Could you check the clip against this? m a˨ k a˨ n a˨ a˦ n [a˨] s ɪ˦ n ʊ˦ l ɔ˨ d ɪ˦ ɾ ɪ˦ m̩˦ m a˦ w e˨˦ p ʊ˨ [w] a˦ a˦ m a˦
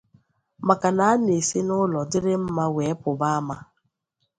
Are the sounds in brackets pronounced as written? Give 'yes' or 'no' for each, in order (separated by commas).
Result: no, no